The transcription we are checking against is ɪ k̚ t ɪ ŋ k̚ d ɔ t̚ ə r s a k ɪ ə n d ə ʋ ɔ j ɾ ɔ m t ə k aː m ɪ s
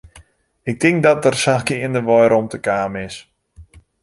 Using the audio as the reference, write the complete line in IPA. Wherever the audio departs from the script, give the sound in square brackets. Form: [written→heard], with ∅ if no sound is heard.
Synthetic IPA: ɪ k̚ t ɪ ŋ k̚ d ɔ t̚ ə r s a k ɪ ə n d ə ʋ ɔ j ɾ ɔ m t ə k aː m ɪ s